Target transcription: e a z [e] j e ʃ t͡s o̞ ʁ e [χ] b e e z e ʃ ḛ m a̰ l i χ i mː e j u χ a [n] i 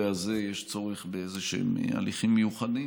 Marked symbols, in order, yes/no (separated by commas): yes, yes, no